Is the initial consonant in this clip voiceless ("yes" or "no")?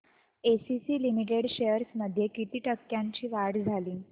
yes